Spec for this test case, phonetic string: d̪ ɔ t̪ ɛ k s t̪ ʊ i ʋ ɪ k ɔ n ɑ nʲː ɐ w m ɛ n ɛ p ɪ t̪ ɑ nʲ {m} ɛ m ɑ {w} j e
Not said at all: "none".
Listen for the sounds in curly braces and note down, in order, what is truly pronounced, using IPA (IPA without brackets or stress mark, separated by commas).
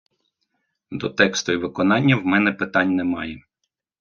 n, none